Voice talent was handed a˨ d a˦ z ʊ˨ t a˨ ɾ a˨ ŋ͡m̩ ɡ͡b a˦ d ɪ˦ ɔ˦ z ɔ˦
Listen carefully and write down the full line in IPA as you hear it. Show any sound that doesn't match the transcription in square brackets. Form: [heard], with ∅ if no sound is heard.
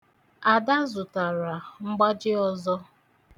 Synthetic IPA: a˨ d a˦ z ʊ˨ t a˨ ɾ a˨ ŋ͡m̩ ɡ͡b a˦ [d͡ʒ] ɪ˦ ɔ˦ z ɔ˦